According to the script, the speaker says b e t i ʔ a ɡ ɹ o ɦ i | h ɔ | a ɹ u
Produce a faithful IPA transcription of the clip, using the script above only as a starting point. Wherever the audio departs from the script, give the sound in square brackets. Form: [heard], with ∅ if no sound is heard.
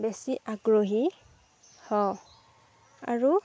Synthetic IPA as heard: b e [s] i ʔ a ɡ ɹ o ɦ i | h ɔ | a ɹ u